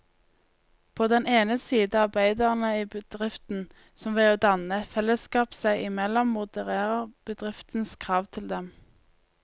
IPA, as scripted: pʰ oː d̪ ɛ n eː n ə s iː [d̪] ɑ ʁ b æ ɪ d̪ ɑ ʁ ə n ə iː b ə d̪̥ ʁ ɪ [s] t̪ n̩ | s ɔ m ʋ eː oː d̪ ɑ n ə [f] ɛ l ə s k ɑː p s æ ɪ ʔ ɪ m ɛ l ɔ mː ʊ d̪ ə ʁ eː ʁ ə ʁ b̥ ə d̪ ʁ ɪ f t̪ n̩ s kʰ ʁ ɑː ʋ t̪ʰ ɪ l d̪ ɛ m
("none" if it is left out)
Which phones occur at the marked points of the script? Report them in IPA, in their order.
d̪, f, f

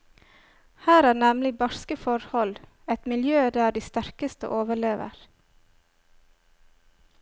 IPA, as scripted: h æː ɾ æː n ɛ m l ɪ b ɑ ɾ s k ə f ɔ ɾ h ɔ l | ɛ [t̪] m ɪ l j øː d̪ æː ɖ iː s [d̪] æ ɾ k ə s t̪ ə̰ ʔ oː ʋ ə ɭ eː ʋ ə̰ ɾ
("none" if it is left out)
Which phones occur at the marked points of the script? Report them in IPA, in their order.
t̪, t̪

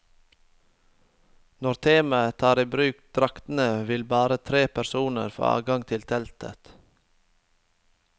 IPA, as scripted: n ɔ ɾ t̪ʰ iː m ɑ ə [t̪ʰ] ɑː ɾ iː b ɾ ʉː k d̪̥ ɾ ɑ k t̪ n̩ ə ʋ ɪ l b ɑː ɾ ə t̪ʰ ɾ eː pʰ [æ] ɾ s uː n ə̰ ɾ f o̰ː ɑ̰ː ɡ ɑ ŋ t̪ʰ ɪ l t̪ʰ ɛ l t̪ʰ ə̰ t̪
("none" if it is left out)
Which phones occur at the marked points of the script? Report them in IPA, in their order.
t̪ʰ, æ

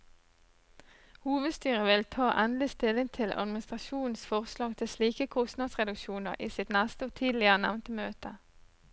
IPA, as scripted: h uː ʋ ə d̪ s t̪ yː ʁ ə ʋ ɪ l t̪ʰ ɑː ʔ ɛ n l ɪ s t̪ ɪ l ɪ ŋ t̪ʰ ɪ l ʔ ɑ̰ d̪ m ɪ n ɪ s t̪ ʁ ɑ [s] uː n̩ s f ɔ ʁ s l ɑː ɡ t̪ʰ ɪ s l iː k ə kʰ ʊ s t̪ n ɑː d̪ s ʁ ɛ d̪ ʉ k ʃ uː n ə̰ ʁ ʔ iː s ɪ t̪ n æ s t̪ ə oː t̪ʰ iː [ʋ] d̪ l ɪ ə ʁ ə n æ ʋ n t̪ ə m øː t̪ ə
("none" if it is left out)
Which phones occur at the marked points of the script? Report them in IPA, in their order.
ʃ, none

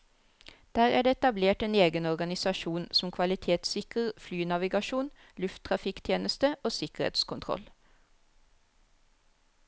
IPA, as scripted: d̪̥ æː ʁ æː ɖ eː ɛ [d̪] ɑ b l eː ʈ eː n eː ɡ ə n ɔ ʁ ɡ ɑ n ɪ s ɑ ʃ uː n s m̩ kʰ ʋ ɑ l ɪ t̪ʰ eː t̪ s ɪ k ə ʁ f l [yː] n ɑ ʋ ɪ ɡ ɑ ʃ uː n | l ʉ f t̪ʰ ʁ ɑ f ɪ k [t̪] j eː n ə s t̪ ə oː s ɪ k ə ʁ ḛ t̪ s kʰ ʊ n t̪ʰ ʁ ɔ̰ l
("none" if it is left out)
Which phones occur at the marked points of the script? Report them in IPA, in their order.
t̪, yː, t̪ʰ

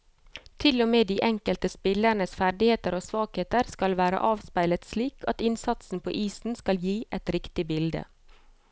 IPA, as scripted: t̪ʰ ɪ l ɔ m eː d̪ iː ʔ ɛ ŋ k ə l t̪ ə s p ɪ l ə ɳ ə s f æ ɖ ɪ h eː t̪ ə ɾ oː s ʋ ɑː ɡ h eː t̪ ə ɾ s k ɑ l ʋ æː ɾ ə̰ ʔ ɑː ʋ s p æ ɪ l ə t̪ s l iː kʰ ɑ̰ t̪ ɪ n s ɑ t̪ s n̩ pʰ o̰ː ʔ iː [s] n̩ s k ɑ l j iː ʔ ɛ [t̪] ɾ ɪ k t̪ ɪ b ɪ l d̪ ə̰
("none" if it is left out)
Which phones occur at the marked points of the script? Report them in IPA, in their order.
s, t̪

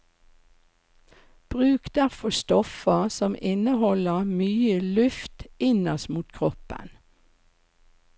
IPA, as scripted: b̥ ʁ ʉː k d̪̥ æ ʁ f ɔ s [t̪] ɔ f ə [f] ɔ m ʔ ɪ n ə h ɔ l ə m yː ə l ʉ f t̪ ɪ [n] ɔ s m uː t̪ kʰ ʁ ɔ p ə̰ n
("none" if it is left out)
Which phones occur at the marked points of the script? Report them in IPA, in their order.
t̪, s, n

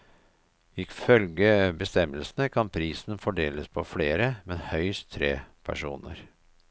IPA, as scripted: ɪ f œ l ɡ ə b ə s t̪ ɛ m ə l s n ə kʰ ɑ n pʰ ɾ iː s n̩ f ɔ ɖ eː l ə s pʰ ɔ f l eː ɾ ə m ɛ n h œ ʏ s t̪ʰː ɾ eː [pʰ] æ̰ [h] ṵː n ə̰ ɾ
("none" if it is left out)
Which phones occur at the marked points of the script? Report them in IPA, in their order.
pʰ, ʂ

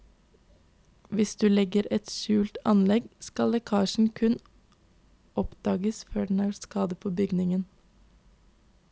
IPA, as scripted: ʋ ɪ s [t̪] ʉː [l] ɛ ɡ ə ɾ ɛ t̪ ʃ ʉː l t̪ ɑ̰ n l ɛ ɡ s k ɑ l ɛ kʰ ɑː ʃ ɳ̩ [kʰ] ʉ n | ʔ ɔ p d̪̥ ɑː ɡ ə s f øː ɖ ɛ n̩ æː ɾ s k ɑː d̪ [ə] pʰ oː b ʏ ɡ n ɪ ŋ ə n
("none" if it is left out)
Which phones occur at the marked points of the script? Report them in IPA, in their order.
d̪, l, kʰ, ə

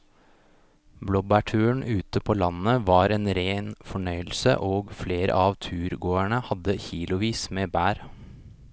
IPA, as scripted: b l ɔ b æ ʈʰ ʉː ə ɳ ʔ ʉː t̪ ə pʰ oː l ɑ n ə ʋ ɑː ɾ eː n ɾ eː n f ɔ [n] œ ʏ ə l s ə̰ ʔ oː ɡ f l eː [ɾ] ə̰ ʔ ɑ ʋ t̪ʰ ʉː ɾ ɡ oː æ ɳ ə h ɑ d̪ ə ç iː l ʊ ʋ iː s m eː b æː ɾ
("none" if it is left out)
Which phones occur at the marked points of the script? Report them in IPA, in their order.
ɳ, ɾ

